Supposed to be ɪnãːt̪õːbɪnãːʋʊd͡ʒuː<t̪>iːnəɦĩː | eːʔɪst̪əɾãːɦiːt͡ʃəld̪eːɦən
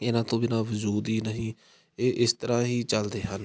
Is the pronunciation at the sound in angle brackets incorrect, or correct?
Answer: incorrect